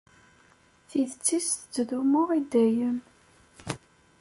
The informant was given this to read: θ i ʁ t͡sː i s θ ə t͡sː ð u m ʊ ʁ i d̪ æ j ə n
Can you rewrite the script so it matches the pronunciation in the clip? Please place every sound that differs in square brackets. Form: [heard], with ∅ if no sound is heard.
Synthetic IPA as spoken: θ i [ð] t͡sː i s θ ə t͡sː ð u m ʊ ʁ i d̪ æ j ə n